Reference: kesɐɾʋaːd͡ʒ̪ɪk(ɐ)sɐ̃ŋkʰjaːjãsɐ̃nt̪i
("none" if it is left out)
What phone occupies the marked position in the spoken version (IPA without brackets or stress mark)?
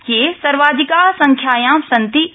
a